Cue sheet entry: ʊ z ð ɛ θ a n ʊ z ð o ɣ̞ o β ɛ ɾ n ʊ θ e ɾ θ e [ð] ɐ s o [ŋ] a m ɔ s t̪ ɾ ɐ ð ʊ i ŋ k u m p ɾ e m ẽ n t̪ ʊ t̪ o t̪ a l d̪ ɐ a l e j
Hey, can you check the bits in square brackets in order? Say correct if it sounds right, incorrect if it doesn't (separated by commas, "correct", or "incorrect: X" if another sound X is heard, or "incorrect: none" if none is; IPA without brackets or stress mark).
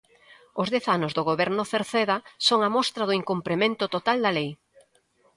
correct, correct